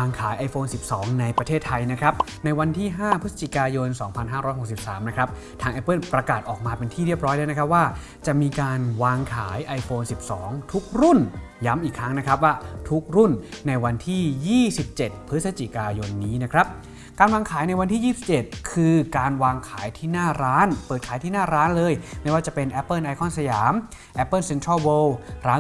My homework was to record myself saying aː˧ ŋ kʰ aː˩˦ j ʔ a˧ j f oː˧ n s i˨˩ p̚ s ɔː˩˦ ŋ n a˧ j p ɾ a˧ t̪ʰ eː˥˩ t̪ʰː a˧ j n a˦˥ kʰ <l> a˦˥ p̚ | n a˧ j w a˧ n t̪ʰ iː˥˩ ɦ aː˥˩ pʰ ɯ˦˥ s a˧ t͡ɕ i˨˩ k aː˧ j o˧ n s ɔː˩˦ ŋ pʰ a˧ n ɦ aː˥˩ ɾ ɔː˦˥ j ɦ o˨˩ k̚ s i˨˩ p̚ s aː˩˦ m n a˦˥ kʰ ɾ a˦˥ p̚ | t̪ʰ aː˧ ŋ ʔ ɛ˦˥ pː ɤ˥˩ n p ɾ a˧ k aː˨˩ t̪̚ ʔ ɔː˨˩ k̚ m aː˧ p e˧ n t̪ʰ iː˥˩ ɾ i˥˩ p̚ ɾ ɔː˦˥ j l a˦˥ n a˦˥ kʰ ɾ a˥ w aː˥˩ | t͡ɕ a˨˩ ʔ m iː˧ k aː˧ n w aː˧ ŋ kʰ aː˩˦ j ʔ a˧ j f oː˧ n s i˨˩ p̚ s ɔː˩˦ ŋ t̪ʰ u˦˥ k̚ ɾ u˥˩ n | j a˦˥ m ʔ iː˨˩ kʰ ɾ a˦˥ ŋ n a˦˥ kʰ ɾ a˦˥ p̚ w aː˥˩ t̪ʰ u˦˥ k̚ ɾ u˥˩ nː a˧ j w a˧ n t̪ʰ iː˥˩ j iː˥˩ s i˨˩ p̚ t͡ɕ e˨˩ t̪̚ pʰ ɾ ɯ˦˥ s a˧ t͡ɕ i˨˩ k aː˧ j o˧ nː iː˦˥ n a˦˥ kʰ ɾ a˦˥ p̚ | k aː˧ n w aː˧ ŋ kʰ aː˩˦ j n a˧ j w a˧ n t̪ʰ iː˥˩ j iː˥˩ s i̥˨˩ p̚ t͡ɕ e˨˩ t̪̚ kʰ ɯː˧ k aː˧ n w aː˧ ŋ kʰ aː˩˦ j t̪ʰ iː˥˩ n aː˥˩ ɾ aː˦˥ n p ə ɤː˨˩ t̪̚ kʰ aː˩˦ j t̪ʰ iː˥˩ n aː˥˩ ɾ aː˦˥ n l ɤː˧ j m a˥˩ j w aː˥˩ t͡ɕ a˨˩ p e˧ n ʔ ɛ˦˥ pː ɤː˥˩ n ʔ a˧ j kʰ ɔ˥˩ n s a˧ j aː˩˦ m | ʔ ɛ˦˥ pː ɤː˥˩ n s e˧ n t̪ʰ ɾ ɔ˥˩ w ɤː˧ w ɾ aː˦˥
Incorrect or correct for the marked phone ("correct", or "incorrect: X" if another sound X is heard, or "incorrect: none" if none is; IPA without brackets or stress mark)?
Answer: incorrect: ɾ